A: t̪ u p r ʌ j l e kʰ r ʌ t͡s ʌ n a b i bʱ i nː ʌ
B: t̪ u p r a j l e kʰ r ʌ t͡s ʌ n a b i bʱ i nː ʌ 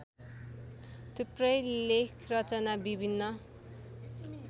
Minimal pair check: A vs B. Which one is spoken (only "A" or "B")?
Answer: A